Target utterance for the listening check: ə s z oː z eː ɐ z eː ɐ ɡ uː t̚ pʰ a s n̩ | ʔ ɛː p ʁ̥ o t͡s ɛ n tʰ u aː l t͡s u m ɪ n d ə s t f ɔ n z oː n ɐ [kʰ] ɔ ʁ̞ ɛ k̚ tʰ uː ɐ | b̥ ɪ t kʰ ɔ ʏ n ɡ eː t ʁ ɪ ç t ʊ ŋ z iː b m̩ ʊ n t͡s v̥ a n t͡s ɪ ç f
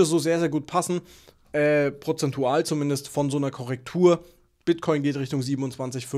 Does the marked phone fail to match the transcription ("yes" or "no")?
no